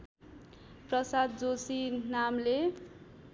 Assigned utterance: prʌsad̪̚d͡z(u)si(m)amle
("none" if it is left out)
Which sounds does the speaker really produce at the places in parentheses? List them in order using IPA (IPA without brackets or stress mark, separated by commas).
o, n